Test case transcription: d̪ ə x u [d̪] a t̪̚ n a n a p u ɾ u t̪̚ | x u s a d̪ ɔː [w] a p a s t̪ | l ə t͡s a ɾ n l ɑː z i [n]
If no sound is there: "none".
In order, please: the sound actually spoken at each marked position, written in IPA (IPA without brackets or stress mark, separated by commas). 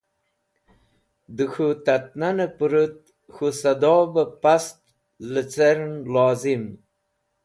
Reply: t̪, b, m